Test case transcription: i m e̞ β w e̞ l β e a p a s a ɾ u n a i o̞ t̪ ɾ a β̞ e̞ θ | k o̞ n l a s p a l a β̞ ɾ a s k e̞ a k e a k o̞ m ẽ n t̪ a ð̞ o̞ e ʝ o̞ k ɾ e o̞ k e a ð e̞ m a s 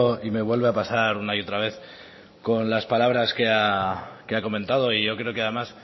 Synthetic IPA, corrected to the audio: i m e̞ β w e̞ l β e a p a s a ɾ u n a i o̞ t̪ ɾ a β̞ e̞ θ | k o̞ n l a s p a l a β̞ ɾ a s k e̞ a k e a k o̞ m ẽ n t̪ a ð̞ o̞ i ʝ o̞ k ɾ e o̞ k e a ð e̞ m a s